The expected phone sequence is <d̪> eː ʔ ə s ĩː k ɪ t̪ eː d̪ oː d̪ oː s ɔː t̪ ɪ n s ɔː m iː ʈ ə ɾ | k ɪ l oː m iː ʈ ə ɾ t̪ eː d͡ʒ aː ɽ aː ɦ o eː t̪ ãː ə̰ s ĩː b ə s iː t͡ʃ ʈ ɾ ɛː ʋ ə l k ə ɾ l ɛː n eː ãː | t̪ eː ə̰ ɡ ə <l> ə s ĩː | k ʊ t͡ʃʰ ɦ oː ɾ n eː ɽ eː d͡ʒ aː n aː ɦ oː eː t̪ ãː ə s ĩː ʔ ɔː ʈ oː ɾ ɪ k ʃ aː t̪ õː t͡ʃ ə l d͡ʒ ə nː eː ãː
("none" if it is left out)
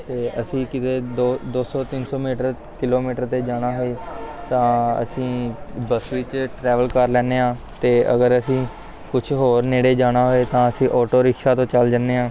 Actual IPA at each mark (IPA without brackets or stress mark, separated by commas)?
t̪, ɾ